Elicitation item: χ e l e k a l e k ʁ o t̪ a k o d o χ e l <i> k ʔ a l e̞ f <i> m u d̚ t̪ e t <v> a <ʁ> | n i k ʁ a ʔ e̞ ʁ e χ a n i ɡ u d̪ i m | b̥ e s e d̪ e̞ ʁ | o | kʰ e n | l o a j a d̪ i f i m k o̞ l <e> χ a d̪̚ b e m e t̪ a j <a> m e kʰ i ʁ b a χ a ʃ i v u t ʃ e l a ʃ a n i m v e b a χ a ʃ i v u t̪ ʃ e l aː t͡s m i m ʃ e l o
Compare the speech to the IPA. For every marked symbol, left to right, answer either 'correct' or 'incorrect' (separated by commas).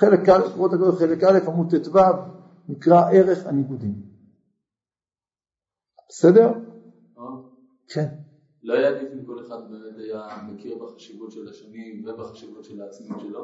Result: incorrect, incorrect, correct, incorrect, correct, correct